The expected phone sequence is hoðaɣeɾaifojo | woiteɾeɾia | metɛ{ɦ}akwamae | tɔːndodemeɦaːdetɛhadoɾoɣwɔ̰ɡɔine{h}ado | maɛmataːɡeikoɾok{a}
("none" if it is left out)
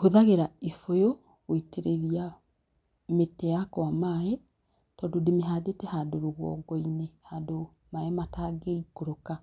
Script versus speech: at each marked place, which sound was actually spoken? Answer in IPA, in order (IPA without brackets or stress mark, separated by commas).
none, h, a